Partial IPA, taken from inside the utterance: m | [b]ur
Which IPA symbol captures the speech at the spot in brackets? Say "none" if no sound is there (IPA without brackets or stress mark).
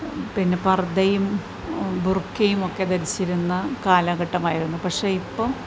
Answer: b